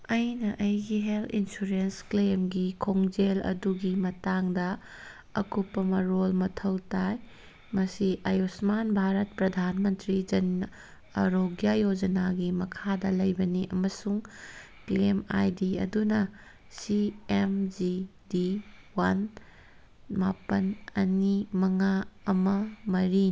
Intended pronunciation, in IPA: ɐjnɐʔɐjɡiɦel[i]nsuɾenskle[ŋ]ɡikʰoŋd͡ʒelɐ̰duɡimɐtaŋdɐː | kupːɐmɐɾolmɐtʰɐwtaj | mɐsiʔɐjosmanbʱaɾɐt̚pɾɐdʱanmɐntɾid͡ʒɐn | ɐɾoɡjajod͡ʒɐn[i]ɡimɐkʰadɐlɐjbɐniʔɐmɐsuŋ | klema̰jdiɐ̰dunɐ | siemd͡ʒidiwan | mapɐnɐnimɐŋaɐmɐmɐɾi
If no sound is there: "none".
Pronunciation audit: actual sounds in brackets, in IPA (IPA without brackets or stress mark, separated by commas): i, m, a